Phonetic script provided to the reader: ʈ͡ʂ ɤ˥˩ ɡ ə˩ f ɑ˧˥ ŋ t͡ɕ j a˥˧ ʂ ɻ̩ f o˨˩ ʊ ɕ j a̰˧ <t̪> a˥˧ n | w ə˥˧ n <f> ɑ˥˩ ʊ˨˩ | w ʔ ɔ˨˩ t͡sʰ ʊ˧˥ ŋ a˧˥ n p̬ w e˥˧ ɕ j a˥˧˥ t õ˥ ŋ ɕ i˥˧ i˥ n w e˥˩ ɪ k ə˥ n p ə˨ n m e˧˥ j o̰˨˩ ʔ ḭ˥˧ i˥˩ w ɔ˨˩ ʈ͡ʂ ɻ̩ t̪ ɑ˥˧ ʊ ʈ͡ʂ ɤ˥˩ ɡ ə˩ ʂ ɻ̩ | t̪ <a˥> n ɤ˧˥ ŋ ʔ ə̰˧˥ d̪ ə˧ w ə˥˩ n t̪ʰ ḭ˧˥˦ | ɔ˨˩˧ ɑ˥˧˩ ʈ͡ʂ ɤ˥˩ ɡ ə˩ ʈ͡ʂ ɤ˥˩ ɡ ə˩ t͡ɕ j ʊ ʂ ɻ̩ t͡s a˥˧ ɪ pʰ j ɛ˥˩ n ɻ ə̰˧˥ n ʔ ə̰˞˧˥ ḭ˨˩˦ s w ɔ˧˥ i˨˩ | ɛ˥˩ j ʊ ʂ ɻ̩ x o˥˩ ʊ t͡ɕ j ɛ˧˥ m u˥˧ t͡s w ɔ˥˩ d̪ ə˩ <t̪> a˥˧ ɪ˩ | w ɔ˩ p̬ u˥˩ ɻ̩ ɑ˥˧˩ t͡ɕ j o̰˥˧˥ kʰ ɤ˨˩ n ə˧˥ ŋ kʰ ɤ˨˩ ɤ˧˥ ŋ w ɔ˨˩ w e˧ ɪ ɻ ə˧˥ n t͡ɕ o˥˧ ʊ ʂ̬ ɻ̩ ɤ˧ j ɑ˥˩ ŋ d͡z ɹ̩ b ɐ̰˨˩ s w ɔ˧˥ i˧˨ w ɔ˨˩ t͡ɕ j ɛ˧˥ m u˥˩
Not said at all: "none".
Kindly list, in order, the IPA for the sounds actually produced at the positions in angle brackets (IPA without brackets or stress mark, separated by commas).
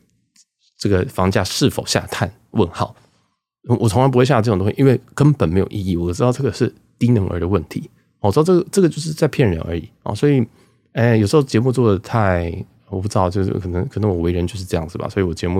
t̪ʰ, x, i˥, t̪ʰ